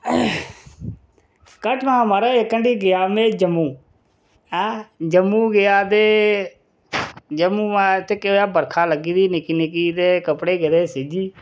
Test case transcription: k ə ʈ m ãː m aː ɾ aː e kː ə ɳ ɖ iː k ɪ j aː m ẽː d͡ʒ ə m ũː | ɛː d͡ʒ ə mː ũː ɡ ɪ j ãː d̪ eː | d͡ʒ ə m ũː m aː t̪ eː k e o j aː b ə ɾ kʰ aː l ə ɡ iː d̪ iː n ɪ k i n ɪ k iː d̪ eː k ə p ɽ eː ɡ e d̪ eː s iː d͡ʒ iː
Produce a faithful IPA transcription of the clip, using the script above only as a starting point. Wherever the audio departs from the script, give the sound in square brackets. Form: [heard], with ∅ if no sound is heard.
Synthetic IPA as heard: k ə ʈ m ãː m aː ɾ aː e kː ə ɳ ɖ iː [ɡ] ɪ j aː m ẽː d͡ʒ ə m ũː | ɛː d͡ʒ ə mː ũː ɡ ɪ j [aː] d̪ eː | d͡ʒ ə m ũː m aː t̪ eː k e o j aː b ə ɾ kʰ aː l ə ɡ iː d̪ iː n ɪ k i n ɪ k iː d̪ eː k ə p ɽ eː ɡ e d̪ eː s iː d͡ʒ iː

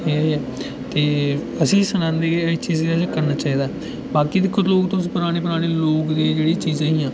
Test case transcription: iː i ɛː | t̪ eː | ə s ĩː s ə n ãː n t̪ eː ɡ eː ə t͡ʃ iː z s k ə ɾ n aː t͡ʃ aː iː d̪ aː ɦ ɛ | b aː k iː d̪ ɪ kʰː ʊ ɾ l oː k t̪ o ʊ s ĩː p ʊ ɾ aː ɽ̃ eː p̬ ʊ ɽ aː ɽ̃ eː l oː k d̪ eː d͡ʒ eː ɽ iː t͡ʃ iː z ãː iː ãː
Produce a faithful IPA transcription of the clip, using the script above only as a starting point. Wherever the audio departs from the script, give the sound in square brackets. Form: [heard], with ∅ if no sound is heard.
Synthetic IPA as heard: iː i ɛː | t̪ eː | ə s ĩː s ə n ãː n [d̪] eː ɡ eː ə t͡ʃ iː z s k ə ɾ n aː t͡ʃ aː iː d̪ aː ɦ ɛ | b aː k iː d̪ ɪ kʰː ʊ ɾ l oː k t̪ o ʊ s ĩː p ʊ ɾ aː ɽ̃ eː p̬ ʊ [ɾ] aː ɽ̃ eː l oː k d̪ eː d͡ʒ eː ɽ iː t͡ʃ iː z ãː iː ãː

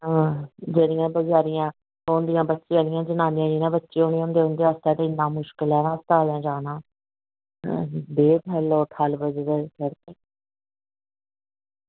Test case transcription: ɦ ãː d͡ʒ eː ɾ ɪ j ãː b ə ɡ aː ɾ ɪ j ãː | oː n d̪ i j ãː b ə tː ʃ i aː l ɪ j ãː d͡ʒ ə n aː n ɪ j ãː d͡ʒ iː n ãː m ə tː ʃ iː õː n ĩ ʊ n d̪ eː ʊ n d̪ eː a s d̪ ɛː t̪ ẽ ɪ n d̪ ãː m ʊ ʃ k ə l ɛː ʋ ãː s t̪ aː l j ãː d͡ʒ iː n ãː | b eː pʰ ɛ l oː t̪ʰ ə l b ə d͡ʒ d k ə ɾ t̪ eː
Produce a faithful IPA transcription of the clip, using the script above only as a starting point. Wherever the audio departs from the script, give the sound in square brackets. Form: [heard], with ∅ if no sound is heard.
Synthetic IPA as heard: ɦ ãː d͡ʒ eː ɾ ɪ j ãː b ə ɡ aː ɾ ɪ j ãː | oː n d̪ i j ãː b ə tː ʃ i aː l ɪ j ãː d͡ʒ ə n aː n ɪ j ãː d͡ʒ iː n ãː [b] ə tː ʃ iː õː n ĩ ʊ n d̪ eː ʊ n d̪ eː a s [t̪] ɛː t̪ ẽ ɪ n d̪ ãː m ʊ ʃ k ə l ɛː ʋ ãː s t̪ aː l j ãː d͡ʒ [aː] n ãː | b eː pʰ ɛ l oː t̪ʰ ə l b ə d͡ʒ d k ə ɾ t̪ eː

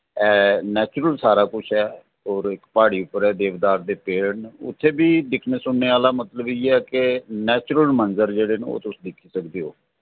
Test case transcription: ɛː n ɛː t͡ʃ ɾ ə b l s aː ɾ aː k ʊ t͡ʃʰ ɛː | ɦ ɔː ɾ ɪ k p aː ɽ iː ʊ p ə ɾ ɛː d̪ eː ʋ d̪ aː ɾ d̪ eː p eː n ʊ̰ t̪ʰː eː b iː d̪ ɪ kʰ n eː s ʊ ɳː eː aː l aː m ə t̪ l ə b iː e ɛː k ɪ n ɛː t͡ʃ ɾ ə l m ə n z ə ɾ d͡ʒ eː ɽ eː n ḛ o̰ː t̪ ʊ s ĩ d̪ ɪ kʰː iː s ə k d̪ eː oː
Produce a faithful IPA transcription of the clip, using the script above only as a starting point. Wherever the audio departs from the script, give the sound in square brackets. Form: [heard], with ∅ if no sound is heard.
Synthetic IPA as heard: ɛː n ɛː t͡ʃ ɾ ə [∅] l s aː ɾ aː k ʊ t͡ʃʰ ɛː | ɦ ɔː ɾ ɪ k p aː ɽ iː ʊ p ə ɾ ɛː d̪ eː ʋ d̪ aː ɾ d̪ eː p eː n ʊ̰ t̪ʰː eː b iː d̪ ɪ kʰ n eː s ʊ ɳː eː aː l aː m ə t̪ l ə b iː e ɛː k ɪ n ɛː t͡ʃ ɾ ə l m ə n z ə ɾ d͡ʒ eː ɽ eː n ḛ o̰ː t̪ ʊ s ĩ d̪ ɪ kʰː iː s ə k d̪ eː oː

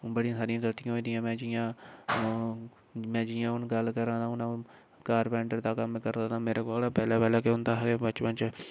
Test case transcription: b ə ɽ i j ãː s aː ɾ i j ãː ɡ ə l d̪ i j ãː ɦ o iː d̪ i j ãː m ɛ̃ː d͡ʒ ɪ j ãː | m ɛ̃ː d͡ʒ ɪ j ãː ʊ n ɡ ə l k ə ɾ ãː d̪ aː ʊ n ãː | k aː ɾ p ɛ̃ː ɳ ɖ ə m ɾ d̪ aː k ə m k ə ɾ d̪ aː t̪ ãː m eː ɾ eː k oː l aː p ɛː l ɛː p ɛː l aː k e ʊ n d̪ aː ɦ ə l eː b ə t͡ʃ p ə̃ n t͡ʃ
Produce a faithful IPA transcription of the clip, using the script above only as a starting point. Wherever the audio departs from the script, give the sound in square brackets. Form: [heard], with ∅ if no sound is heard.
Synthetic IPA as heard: b ə ɽ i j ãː s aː ɾ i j ãː ɡ ə l [t̪] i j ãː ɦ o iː d̪ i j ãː m ɛ̃ː d͡ʒ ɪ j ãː | m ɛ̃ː d͡ʒ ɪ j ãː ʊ n ɡ ə l k ə ɾ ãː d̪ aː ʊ n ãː | k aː ɾ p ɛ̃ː ɳ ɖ ə [∅] ɾ d̪ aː k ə m k ə ɾ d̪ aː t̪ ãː m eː ɾ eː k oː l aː p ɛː l [aː] p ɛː l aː k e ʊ n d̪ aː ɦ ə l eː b ə t͡ʃ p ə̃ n t͡ʃ

